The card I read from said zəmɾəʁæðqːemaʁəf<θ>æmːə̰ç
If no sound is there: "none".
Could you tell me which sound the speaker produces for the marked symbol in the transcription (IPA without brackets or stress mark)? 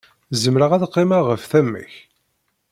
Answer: θ